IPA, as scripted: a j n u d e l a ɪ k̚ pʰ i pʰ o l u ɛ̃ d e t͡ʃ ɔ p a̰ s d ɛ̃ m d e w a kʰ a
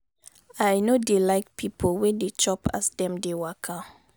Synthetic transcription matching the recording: a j n o d e l a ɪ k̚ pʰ i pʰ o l w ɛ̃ d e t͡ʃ ɔ p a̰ s d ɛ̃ m d e w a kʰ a